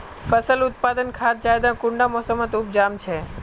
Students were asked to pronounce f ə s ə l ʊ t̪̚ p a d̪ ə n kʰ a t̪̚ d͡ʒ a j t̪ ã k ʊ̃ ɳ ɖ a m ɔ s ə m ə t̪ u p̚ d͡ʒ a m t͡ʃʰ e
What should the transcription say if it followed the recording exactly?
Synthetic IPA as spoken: f ə s ə l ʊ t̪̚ p a d̪ ə n kʰ a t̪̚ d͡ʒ a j d̪ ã k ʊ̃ ɳ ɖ a m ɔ s ə m ə t̪ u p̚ d͡ʒ a m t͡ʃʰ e